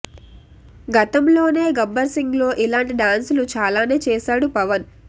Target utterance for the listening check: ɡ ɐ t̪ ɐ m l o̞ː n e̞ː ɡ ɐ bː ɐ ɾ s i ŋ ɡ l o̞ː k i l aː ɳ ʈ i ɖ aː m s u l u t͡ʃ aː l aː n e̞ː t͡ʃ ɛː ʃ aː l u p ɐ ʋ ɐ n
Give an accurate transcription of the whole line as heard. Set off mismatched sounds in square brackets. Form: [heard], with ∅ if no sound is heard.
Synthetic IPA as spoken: ɡ ɐ t̪ ɐ m l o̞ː n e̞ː ɡ ɐ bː ɐ ɾ s i ŋ ɡ l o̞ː [ʔ] i l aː ɳ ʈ i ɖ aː [n] s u l u t͡ʃ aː l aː n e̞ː t͡ʃ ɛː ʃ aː [ɽ] u p ɐ ʋ ɐ n